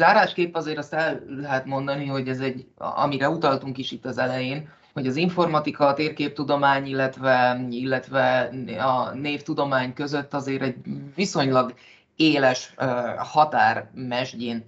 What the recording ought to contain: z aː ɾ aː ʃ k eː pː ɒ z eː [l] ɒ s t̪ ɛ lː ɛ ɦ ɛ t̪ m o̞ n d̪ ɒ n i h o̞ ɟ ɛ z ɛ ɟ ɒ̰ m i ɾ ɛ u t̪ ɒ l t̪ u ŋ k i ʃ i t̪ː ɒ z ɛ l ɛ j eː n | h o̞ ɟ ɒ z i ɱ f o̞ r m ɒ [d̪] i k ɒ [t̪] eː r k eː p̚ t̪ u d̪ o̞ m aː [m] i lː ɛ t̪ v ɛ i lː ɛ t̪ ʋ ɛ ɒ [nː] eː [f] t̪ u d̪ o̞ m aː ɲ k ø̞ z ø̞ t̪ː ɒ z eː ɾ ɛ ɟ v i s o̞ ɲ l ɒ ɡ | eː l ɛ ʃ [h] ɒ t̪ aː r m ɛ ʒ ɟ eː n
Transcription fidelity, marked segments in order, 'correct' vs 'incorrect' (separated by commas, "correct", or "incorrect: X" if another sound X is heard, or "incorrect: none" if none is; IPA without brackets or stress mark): incorrect: ɾ, incorrect: t̪, correct, incorrect: ɲ, incorrect: n, correct, correct